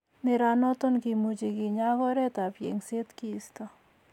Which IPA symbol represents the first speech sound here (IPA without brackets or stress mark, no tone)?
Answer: n